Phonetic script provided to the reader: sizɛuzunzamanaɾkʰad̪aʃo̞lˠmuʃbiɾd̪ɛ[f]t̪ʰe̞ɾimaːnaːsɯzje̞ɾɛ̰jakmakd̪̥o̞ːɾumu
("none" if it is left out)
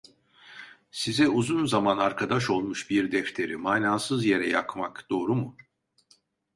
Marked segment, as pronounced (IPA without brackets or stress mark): f